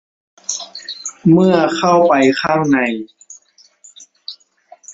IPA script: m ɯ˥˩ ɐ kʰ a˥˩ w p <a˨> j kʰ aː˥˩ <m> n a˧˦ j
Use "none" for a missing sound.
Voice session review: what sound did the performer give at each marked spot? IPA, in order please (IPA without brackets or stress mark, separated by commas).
a˨, ŋ